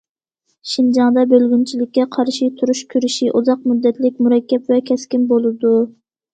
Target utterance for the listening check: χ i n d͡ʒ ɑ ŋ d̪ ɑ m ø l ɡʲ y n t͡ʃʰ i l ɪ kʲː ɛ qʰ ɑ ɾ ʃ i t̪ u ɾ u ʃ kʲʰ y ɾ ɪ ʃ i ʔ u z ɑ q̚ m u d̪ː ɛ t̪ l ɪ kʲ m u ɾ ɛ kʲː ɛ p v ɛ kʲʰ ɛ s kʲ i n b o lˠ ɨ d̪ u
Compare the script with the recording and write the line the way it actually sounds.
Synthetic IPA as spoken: ʃ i n d͡ʒ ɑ ŋ d̪ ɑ b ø l ɡʲ y n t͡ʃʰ i l ɪ kʲː ɛ qʰ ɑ ɾ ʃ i t̪ʰ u ɾ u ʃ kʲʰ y ɾ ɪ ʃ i ʔ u z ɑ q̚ m u d̪ː ɛ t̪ l ɪ kʲ m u ɾ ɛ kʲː ɛ p v ɛ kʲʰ ɛ s kʲ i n b o lˠ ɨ d̪ u